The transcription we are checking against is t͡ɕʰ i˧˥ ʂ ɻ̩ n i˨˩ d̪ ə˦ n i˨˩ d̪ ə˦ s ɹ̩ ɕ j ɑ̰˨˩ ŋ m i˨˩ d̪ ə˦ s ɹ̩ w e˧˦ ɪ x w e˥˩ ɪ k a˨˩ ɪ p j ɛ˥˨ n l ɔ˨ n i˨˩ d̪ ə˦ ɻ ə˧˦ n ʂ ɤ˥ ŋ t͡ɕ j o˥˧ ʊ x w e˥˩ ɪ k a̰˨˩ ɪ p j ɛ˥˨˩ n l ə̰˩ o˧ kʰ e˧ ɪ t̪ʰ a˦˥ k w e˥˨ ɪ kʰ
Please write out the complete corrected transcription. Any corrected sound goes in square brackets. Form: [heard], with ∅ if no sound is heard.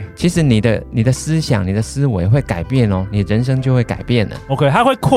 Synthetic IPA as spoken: t͡ɕʰ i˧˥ ʂ ɻ̩ n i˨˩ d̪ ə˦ n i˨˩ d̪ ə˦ s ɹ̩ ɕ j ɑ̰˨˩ ŋ [n] i˨˩ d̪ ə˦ s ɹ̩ w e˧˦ ɪ x w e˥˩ ɪ k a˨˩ ɪ p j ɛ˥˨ n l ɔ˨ n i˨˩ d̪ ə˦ ɻ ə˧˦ n ʂ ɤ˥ ŋ t͡ɕ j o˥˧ ʊ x w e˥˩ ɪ k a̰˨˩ ɪ p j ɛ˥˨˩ n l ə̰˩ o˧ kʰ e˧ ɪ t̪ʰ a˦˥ [x] w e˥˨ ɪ kʰ